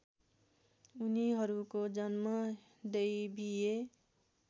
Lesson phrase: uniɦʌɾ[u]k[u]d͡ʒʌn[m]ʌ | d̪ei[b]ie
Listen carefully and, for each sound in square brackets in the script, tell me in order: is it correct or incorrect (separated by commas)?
correct, incorrect, correct, correct